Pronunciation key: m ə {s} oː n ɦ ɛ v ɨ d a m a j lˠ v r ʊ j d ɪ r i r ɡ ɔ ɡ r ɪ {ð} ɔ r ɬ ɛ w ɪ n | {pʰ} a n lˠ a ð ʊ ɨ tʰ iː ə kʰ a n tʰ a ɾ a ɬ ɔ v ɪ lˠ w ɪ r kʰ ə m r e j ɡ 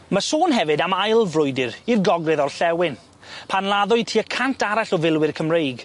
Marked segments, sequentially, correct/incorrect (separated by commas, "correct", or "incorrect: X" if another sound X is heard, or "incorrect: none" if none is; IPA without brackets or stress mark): correct, correct, correct